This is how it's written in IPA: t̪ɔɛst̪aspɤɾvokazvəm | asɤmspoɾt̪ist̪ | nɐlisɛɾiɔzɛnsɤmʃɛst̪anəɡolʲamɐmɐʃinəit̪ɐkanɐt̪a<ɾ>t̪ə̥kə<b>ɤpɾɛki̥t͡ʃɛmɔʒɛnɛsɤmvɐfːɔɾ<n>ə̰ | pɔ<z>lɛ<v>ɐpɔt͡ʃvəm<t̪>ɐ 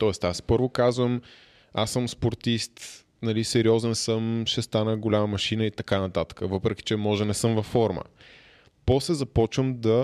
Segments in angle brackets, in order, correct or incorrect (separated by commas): incorrect, incorrect, incorrect, incorrect, incorrect, incorrect